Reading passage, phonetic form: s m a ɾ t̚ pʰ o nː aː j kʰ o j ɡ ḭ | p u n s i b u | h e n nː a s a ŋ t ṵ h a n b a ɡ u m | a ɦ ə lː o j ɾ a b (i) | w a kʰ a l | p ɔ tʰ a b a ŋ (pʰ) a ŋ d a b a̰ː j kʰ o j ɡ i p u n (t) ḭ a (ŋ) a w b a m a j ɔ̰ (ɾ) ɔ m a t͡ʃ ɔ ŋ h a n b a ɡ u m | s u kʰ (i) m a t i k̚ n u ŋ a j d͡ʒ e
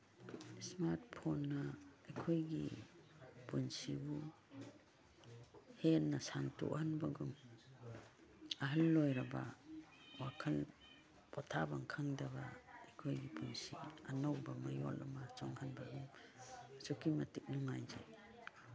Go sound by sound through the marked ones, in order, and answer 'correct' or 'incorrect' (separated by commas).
incorrect, incorrect, incorrect, incorrect, incorrect, correct